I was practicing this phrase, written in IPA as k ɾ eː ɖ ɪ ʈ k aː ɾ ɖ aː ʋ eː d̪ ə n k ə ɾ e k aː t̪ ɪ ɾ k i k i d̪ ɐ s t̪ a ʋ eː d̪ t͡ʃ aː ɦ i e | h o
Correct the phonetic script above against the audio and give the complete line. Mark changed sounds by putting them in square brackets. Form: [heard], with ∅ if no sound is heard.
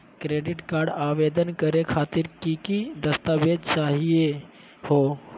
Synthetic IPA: k ɾ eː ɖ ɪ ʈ k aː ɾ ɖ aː ʋ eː d̪ ə n k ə ɾ e [kʰ] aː t̪ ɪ ɾ k i k i d̪ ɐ s t̪ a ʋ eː d̪ t͡ʃ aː ɦ i e | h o